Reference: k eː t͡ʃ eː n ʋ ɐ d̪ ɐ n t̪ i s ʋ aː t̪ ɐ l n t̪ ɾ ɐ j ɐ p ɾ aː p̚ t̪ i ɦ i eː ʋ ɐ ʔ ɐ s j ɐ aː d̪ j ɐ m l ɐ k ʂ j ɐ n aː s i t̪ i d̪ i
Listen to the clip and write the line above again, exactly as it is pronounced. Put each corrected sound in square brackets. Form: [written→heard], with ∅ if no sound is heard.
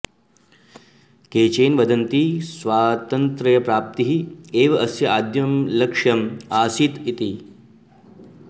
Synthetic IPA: k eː t͡ʃ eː n ʋ ɐ d̪ ɐ n t̪ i s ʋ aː t̪ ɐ [l→∅] n t̪ ɾ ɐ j ɐ p ɾ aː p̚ t̪ i ɦ i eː ʋ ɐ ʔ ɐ s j ɐ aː d̪ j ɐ m l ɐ k ʂ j ɐ [n→m] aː s i t̪ i [d̪→t̪] i